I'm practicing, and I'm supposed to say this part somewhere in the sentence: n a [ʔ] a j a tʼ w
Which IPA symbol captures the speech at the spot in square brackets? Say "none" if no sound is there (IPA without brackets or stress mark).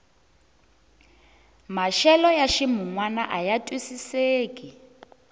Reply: ʔ